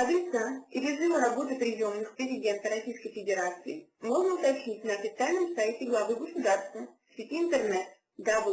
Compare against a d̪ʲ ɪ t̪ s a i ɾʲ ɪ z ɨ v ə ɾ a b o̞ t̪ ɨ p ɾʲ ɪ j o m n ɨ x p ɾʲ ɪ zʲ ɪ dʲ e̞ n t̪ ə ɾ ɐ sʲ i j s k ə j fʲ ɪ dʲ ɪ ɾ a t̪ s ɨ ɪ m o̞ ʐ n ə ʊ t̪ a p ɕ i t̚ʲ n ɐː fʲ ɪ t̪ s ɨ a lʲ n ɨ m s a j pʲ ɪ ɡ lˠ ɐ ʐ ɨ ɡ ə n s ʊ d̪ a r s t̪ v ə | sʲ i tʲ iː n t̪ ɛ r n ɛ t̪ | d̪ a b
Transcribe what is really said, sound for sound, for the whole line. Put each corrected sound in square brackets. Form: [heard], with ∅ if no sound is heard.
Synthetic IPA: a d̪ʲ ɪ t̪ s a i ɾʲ ɪ z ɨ v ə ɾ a b o̞ t̪ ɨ p ɾʲ ɪ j o m n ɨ x p ɾʲ ɪ zʲ ɪ dʲ e̞ n t̪ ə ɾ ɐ sʲ i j s k ə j fʲ ɪ dʲ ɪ ɾ a t̪ s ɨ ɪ m o̞ ʐ n ə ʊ t̪ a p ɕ i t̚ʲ n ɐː fʲ ɪ t̪ s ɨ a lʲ n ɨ m s a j [tʲ] ɪ ɡ lˠ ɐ [v] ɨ ɡ ə [∅] s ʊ d̪ a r s t̪ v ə | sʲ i tʲ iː n t̪ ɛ r n ɛ t̪ | d̪ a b